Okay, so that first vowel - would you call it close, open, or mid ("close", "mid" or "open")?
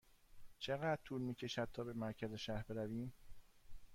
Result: mid